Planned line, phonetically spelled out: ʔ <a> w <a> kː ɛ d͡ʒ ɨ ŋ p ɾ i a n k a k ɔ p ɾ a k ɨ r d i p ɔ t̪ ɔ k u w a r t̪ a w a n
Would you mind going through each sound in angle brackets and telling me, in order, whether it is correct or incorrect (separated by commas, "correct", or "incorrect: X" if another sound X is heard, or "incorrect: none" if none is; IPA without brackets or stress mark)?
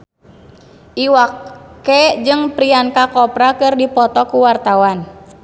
incorrect: i, correct